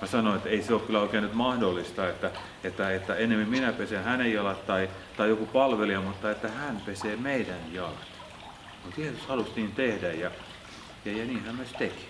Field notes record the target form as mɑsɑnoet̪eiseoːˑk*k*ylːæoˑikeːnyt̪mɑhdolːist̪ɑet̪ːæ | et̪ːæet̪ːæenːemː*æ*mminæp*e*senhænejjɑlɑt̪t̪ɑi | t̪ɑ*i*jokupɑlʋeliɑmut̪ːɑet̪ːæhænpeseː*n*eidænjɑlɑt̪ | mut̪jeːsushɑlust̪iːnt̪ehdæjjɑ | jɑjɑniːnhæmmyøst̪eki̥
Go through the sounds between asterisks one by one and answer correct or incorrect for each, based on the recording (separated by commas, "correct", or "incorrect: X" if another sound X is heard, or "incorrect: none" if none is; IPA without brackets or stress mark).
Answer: correct, incorrect: i, correct, correct, incorrect: m